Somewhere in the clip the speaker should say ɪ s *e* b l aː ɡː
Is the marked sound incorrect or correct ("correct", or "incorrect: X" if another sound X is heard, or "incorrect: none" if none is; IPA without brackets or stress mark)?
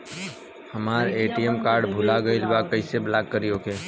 correct